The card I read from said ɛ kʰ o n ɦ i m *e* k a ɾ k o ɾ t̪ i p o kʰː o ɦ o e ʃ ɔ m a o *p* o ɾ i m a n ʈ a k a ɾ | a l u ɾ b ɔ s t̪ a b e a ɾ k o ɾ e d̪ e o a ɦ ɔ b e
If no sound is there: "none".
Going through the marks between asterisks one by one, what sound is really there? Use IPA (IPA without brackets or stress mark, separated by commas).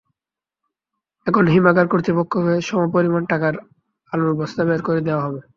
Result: a, p